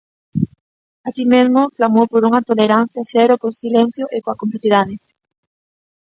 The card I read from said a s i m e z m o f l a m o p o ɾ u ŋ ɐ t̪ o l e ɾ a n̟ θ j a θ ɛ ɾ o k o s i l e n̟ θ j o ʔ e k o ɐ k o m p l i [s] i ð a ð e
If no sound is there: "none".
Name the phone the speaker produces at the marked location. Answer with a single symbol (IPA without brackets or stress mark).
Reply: θ